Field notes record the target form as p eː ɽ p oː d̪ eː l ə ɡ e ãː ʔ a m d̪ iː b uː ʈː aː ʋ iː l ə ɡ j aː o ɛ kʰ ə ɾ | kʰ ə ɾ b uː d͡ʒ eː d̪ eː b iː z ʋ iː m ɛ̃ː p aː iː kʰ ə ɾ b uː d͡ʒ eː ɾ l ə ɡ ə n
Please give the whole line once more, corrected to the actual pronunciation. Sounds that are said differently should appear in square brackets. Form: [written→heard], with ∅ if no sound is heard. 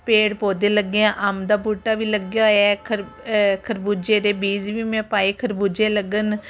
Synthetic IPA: p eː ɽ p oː d̪ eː l ə ɡ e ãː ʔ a m d̪ [iː→aː] b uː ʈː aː ʋ iː l ə ɡ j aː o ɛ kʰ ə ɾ | kʰ ə ɾ b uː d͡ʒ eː d̪ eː b iː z ʋ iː m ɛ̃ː p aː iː kʰ ə ɾ b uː d͡ʒ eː [ɾ→∅] l ə ɡ ə n